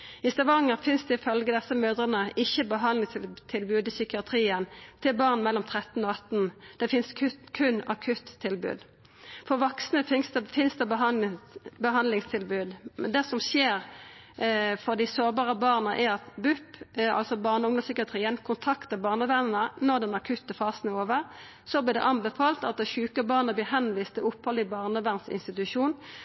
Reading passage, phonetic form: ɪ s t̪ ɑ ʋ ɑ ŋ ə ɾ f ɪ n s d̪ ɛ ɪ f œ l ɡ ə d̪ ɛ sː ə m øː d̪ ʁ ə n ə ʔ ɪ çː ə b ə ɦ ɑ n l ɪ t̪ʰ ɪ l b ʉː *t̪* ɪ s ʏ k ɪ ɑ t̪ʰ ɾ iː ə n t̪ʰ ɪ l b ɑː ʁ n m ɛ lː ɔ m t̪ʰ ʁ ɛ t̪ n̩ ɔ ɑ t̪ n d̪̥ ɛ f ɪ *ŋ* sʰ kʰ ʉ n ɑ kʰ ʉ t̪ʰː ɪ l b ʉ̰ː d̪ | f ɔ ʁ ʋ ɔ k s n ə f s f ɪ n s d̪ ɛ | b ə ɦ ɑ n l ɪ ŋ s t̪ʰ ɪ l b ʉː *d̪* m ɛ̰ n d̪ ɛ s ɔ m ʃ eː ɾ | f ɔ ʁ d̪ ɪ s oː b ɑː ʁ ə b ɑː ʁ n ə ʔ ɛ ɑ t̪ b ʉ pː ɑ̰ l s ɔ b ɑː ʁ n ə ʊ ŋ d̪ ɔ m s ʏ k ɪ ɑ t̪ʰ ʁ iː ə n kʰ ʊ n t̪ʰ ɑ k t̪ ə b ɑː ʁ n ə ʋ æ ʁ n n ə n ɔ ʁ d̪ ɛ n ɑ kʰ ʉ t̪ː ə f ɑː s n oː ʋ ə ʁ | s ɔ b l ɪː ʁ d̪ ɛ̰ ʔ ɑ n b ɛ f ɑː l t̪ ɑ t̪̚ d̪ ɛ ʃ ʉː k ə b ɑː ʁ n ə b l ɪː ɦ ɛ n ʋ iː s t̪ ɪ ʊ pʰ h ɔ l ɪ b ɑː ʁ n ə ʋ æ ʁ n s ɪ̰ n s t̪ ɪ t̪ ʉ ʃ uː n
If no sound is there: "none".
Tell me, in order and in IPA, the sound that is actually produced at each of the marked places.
d̪, n, d̪

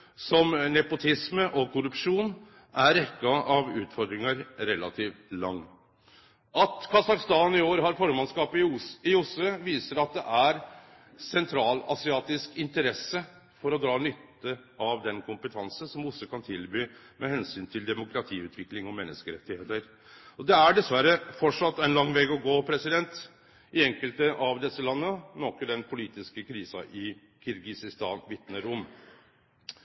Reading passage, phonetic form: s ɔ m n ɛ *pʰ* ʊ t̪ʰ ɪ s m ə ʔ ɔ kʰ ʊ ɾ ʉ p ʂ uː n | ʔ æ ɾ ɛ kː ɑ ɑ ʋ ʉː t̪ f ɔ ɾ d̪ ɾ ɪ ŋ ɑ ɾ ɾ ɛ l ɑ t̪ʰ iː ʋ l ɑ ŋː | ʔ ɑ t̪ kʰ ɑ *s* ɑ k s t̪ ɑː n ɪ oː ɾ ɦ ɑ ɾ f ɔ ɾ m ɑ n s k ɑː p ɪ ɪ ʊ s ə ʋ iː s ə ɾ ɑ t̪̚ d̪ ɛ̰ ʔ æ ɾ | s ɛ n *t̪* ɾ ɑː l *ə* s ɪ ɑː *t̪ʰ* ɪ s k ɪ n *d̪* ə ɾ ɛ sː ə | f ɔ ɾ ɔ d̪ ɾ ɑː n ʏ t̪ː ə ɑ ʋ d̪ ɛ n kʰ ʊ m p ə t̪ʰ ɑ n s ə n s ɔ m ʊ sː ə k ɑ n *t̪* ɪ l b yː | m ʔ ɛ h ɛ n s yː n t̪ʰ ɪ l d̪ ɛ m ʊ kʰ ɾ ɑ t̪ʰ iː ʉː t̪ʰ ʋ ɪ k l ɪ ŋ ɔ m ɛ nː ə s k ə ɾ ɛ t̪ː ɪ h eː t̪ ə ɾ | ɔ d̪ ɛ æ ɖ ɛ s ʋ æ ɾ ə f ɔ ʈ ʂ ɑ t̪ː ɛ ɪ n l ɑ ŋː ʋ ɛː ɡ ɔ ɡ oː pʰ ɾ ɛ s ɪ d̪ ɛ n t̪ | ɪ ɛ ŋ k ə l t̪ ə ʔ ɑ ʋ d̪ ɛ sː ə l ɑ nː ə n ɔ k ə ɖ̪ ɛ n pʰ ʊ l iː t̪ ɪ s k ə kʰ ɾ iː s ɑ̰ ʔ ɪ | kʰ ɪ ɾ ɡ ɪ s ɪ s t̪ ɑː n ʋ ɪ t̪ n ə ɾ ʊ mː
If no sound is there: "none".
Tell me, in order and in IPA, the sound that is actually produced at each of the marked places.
p, s, t̪ʰ, ɑ, t̪, t̪, t̪ʰ

